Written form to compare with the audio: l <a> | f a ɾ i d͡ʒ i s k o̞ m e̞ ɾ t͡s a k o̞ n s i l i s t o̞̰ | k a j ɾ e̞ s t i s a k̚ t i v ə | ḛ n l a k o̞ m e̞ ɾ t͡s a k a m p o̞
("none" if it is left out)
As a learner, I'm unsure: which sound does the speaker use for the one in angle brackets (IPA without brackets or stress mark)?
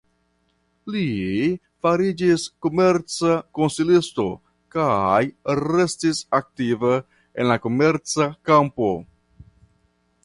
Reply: i